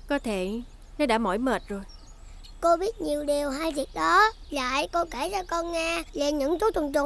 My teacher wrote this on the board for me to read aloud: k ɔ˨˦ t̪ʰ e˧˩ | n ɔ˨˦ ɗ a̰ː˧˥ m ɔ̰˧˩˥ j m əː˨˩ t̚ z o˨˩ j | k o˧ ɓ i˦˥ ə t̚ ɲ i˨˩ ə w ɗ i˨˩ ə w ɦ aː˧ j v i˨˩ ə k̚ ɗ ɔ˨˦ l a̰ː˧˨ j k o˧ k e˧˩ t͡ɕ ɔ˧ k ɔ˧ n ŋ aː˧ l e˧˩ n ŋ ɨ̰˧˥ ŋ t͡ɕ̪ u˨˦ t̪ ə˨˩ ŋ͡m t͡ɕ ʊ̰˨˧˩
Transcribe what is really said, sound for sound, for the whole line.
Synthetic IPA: k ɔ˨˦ t̪ʰ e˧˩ | n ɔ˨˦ ɗ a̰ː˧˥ m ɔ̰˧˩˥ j m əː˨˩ t̚ z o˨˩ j | k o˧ ɓ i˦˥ ə t̚ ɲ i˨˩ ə w ɗ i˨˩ ə w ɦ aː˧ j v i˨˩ ə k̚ ɗ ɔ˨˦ l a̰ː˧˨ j k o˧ k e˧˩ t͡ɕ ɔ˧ k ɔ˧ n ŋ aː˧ l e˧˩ n ɲ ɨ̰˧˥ ŋ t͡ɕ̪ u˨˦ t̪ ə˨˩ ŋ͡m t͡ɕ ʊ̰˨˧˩